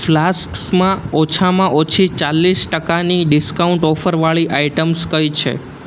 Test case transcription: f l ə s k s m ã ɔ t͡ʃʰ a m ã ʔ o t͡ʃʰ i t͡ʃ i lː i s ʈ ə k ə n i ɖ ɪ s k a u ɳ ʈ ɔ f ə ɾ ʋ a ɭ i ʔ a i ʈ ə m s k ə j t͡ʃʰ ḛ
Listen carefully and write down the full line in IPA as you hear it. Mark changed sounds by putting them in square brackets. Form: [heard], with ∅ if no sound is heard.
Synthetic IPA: f l [a] s k s m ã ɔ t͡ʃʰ a m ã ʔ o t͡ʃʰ i t͡ʃ [a] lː i s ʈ ə k [a] n i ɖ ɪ s k a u ɳ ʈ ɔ f ə ɾ ʋ a ɭ i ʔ a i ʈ ə m s k ə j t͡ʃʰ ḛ